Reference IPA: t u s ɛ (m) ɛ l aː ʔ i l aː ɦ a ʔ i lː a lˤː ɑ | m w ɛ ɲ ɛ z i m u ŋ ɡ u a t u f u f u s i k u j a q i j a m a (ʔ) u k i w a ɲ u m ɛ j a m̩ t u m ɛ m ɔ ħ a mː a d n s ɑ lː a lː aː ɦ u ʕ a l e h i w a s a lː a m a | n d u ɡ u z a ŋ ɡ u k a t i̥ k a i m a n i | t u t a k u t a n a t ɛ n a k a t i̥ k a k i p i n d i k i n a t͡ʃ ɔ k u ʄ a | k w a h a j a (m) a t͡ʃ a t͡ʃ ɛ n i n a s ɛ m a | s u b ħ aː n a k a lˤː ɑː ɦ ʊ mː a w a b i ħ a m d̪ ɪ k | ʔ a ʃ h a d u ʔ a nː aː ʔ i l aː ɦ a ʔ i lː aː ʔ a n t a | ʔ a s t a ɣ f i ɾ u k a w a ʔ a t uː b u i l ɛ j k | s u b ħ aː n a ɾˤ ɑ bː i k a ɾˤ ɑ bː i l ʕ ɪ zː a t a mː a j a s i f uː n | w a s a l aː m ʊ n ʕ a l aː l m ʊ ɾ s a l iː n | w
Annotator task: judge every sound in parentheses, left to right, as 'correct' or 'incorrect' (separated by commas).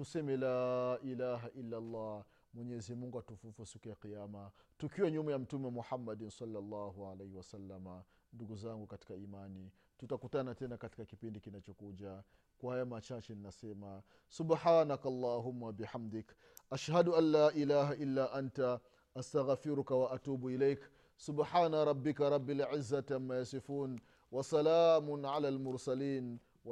correct, incorrect, correct